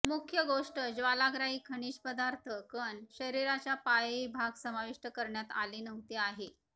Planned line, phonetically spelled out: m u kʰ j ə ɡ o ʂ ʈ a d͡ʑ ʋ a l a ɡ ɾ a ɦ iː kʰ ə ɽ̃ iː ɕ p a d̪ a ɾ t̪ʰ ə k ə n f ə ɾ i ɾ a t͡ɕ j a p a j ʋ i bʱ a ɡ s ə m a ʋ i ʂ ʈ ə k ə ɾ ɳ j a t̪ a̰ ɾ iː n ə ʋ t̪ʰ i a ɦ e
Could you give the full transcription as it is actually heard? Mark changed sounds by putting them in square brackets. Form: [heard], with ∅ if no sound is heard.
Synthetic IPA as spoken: m u kʰ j ə ɡ o ʂ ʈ [ə] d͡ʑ ʋ a l a ɡ ɾ a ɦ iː kʰ ə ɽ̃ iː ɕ p [ə] d̪ a ɾ t̪ʰ ə k ə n [ɕ] ə ɾ i ɾ a t͡ɕ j a p a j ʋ i bʱ a ɡ s ə m a ʋ i ʂ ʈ ə k ə ɾ ɳ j a t̪ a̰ [l] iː n ə ʋ [t̪] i a ɦ e